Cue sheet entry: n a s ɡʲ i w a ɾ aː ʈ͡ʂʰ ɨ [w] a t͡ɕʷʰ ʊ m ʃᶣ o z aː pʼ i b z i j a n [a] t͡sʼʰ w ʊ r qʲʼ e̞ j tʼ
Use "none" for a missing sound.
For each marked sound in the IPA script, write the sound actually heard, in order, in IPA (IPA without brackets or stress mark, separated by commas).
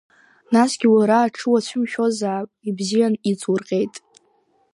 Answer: w, i